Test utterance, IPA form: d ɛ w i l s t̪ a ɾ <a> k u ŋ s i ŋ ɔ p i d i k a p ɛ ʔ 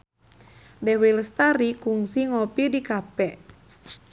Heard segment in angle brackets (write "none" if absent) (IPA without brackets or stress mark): i